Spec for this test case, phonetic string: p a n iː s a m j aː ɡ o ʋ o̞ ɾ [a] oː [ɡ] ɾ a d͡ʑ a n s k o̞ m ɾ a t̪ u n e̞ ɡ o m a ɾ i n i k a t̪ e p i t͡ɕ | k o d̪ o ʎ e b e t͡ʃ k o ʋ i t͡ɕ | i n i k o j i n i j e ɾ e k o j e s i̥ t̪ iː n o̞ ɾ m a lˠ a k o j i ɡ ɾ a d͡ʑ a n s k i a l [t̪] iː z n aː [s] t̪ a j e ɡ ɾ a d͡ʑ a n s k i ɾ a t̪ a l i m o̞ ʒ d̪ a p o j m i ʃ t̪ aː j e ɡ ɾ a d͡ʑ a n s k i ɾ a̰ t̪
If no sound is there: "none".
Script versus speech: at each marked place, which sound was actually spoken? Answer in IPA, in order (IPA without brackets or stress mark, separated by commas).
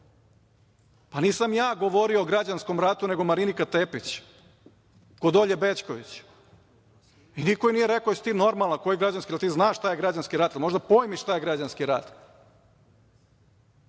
i, ɡ, t̪, ʃ